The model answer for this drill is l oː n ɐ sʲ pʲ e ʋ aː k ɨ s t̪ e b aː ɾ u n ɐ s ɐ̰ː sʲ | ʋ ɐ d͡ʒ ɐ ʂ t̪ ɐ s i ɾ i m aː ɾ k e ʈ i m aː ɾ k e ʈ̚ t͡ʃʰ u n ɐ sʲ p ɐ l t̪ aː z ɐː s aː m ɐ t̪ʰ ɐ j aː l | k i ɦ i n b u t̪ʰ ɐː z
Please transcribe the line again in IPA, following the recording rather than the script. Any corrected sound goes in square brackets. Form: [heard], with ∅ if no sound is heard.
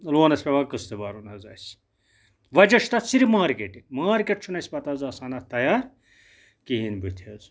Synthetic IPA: l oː n ɐ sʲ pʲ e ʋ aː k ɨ s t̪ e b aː ɾ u n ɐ [z] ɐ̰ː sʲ | ʋ ɐ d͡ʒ ɐ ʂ t̪ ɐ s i ɾ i m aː ɾ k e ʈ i m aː ɾ k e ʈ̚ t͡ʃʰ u n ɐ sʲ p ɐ [∅] t̪ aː z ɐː s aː [n] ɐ [t̪] ɐ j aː [ɾ] | k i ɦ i n b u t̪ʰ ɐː z